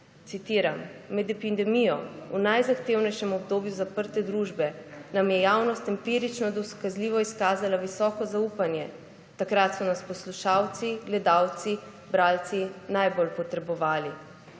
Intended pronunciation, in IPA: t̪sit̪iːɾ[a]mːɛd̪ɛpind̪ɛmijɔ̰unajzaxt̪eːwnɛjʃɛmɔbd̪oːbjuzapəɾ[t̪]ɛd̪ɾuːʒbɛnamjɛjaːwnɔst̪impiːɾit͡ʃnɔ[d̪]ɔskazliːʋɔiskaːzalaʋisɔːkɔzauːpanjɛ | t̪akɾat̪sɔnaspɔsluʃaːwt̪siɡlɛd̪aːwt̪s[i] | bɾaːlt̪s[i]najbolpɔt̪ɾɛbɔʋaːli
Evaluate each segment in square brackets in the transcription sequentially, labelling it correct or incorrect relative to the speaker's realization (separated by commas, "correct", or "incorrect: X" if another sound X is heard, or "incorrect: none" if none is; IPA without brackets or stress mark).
correct, correct, correct, correct, correct